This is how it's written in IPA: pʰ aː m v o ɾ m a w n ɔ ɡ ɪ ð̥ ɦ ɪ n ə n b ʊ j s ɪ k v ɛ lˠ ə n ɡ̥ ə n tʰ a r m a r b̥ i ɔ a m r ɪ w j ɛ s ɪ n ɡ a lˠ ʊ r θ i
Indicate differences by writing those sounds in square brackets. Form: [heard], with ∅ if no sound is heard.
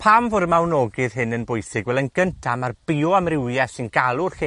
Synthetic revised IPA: pʰ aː m v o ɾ m a w n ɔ ɡ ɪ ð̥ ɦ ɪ n ə n b ʊ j s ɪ [ɡ] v ɛ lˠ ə n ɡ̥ ə n tʰ a [∅] m a r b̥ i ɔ a m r ɪ w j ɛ s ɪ n ɡ a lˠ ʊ r [χ] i